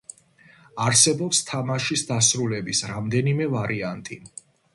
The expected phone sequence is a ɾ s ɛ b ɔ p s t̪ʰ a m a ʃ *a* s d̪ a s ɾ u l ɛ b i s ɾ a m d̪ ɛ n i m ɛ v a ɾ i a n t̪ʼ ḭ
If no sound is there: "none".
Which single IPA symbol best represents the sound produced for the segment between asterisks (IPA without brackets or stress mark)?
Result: i